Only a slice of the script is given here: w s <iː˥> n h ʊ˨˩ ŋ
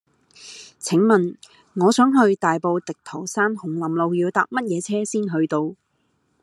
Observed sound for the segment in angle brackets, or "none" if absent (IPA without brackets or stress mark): aː˥